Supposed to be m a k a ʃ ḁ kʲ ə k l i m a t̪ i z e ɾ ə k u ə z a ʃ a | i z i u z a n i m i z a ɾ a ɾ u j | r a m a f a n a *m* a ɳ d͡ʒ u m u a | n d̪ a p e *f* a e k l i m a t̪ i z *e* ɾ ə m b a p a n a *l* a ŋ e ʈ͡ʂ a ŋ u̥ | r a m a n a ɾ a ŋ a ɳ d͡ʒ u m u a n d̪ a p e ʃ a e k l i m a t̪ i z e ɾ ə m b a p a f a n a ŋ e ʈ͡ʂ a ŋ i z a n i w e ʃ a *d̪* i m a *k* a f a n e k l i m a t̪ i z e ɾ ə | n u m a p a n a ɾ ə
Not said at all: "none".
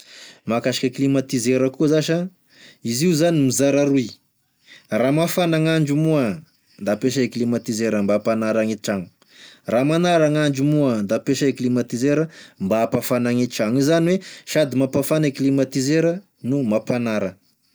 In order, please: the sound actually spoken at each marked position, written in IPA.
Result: ŋ, ʃ, e, ɾ, d̪, p

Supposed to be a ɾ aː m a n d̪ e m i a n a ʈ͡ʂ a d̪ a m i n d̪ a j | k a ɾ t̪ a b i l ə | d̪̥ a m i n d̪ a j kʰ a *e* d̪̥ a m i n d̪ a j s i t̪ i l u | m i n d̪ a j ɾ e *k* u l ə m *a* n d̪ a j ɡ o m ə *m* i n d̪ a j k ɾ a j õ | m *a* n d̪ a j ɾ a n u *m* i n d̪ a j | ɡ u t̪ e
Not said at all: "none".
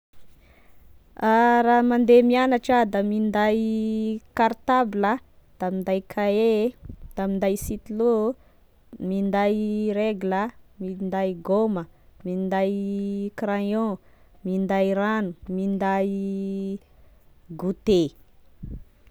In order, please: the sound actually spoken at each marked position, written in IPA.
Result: e, ɡ, i, m, i, m

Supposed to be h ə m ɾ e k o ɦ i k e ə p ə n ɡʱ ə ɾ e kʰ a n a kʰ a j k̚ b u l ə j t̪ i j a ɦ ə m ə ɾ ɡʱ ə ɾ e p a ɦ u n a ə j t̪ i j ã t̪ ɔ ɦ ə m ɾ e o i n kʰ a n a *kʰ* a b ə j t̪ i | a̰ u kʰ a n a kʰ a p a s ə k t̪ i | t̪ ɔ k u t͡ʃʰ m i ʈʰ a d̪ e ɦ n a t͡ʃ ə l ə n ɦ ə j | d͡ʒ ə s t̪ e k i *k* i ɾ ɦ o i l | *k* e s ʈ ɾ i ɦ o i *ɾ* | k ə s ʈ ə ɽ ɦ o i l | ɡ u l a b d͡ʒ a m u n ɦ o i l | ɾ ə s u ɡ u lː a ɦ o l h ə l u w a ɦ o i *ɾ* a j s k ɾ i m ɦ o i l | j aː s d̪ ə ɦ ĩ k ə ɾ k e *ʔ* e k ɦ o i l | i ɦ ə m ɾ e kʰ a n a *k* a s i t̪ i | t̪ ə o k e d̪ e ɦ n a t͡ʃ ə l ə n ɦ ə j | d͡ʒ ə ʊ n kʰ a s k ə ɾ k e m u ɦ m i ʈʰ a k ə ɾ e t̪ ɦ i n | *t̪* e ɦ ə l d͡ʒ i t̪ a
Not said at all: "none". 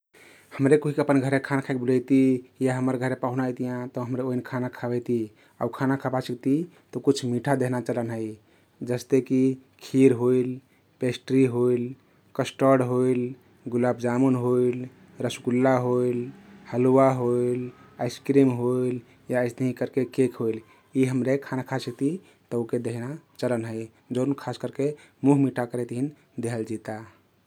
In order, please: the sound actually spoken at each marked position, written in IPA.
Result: kʰ, kʰ, p, l, l, k, kʰ, d̪

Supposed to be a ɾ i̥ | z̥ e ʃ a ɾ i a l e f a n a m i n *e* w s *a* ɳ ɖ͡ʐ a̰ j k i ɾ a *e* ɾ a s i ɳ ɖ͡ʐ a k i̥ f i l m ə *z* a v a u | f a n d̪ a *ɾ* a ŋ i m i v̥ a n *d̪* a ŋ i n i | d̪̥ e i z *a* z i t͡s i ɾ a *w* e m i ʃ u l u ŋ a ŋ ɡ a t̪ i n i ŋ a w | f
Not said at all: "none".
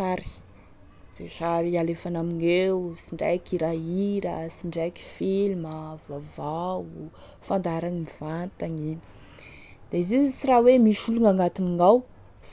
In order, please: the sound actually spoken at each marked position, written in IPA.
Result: e, i, i, v, ɾ, t̪, i, w

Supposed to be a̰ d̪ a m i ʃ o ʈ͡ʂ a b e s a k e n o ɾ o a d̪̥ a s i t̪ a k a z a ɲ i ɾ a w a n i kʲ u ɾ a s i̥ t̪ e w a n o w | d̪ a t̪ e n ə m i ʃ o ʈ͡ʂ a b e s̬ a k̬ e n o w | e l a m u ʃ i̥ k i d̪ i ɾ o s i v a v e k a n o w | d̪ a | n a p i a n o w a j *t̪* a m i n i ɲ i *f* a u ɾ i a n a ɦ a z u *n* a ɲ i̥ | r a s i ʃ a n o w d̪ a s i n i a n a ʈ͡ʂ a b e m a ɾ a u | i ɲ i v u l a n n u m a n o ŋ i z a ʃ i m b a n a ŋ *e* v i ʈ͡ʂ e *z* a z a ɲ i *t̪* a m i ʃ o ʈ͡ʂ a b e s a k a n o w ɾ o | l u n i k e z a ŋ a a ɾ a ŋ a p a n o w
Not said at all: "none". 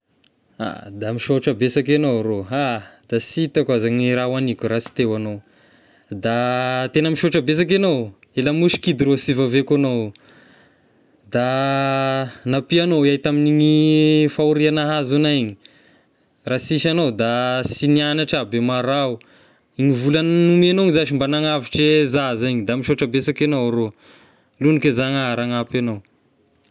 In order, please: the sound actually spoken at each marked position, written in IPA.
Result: t̪, f, n, a, z, d̪

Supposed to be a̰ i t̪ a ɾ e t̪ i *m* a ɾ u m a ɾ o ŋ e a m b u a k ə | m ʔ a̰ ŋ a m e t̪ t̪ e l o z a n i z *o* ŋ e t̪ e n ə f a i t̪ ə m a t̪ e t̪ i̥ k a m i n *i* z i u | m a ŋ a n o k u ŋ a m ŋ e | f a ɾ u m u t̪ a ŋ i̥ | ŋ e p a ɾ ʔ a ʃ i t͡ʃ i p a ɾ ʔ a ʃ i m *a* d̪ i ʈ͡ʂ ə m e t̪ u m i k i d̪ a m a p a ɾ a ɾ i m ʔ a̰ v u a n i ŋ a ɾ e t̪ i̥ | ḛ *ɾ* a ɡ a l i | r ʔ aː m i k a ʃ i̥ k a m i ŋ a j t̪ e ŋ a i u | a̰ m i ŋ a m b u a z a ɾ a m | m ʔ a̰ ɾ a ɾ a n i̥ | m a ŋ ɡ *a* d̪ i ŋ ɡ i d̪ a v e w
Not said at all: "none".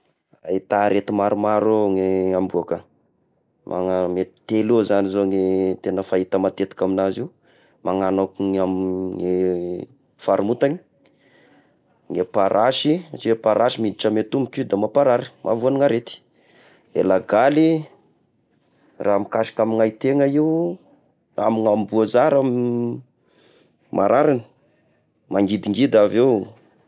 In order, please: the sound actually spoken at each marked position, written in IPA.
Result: m, o, a, i, l, i

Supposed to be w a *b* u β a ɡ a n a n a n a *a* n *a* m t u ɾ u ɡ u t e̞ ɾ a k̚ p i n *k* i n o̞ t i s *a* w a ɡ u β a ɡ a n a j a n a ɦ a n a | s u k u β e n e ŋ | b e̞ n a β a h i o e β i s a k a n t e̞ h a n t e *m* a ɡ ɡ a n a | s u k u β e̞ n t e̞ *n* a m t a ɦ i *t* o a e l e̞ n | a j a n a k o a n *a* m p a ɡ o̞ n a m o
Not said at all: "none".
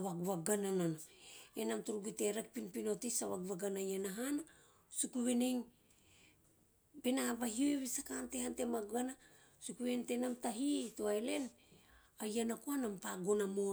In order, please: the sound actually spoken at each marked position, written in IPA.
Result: ɡ, e, a, p, a, m, n, t, a

